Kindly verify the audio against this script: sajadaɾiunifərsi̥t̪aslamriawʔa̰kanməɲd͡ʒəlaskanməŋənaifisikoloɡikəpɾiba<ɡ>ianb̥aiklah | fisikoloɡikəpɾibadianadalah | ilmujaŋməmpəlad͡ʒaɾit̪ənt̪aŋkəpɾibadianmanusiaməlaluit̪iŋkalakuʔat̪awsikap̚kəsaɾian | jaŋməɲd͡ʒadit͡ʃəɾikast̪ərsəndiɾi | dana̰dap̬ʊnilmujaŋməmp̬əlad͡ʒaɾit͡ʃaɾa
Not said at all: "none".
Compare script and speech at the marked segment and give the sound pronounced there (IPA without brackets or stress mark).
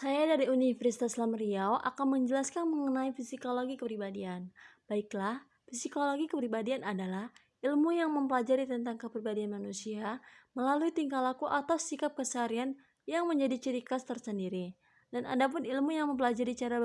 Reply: d